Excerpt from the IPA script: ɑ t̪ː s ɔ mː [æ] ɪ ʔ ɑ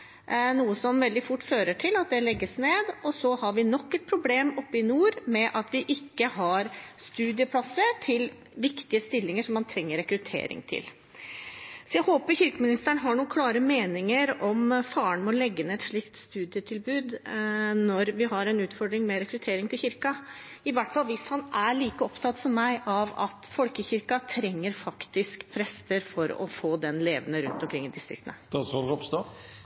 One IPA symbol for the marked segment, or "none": æ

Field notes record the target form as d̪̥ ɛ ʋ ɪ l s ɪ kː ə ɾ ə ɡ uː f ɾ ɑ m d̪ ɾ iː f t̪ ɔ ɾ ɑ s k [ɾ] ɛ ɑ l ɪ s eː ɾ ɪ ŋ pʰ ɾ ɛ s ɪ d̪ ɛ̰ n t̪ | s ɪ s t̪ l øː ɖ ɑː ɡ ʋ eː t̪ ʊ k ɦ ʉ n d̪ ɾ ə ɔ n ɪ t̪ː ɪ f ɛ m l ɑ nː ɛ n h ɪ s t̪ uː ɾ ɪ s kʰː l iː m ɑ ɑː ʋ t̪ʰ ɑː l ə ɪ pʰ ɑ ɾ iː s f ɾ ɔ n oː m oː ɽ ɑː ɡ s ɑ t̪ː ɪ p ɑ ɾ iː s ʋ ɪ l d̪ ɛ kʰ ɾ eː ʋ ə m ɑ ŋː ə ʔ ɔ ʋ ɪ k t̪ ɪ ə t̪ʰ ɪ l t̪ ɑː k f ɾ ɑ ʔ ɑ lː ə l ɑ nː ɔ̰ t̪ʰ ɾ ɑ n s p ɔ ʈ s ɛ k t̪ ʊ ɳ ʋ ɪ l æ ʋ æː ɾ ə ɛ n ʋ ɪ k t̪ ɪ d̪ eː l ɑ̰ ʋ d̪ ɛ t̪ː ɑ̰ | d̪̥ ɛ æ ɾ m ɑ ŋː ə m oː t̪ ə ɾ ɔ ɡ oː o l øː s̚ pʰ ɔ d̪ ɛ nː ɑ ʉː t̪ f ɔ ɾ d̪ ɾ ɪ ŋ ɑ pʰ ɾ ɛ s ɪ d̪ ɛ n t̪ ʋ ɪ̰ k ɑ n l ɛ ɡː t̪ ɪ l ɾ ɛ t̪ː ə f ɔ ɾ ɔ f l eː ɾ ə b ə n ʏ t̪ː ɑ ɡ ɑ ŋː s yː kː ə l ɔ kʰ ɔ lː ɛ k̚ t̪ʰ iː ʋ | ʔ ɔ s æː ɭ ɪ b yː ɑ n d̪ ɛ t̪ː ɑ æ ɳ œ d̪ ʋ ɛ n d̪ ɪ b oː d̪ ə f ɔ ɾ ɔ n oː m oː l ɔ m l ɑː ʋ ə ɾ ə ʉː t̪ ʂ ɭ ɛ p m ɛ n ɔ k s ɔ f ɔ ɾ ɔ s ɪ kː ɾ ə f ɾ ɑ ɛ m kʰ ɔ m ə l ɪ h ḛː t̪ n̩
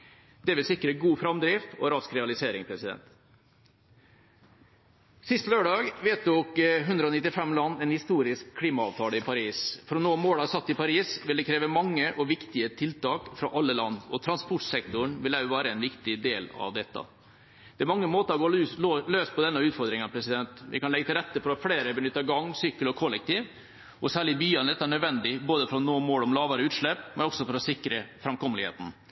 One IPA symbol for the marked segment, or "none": ɾ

